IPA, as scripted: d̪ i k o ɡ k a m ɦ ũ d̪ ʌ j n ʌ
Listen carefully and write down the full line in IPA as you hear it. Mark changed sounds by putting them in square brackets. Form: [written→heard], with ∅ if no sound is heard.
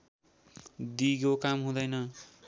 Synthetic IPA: d̪ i [k→ɡ] o [ɡ→∅] k a m ɦ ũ d̪ ʌ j n ʌ

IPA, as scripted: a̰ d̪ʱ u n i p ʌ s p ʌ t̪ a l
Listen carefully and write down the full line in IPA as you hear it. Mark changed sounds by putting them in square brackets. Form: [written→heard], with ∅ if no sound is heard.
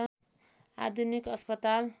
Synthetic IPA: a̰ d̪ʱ u n i [p→k] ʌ s p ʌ t̪ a l

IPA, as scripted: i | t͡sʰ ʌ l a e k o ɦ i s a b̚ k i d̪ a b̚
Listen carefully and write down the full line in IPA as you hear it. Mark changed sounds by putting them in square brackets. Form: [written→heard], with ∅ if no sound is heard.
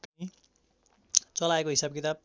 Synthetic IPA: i | [t͡sʰ→t͡s] ʌ l a e k o ɦ i s a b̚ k i [d̪→t̪] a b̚

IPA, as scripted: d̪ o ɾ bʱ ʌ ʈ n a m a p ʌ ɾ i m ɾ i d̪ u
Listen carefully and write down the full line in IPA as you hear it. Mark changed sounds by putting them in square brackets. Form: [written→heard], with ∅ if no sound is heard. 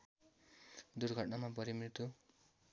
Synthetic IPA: d̪ [o→u] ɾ [bʱ→ɡʱ] ʌ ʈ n a m a p ʌ ɾ i m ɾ i [d̪→t̪] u

